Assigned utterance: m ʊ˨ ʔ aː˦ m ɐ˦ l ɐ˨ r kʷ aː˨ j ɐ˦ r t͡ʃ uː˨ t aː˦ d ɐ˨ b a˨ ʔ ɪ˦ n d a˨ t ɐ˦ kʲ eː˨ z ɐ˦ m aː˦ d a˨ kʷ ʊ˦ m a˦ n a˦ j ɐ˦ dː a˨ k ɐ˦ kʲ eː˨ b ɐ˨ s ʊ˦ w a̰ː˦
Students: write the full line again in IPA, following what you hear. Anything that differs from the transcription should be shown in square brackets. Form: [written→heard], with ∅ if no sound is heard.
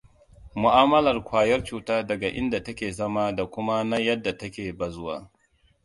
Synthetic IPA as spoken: m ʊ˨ ʔ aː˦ m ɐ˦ l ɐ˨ r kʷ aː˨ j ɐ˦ r t͡ʃ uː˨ t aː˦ d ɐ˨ [b→ɡ] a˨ ʔ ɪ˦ n d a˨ t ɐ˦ kʲ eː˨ z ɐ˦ m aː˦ d a˨ kʷ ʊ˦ m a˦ n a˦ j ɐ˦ dː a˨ [k→t] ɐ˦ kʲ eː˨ b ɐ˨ [s→z] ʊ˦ w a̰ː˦

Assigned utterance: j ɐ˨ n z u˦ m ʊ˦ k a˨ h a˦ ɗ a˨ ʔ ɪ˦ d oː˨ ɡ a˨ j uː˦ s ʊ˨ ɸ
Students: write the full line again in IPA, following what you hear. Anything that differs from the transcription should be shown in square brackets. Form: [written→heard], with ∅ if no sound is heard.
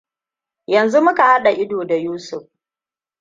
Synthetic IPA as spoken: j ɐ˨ n z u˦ m ʊ˦ k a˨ h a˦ ɗ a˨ ʔ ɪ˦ d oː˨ [ɡ→d] a˨ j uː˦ s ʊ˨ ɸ

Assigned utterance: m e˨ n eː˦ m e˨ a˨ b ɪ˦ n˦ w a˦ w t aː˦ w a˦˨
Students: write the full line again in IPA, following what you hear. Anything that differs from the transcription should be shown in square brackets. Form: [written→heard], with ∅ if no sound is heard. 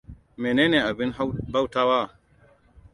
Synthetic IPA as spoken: m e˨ n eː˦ [m→n] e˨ a˨ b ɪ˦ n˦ [w→b] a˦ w t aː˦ w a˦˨

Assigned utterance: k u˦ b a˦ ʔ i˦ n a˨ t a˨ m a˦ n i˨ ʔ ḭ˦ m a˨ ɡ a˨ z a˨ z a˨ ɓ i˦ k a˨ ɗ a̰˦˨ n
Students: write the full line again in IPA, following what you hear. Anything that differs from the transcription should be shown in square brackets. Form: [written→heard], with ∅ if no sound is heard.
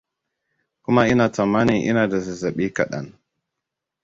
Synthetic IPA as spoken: k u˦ [b→m] a˦ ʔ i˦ n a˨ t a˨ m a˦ n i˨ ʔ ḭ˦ [m→n] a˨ [ɡ→d] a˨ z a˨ z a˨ ɓ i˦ k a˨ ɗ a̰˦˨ n

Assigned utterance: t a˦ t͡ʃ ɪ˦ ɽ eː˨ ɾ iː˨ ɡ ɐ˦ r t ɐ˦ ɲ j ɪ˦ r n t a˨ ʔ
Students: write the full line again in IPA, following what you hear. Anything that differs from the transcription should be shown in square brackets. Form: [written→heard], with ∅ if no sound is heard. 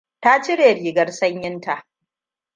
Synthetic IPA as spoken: t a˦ t͡ʃ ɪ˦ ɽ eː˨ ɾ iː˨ ɡ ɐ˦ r [t→s] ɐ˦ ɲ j ɪ˦ [r→∅] n t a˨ ʔ

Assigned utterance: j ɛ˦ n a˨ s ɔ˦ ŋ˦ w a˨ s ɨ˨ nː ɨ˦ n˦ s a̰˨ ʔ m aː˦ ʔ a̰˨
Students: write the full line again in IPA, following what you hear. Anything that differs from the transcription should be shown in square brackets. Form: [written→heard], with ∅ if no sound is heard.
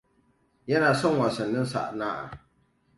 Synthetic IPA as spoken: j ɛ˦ n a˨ s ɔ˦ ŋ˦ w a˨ s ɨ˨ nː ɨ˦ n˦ s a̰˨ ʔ [m→n] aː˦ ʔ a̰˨

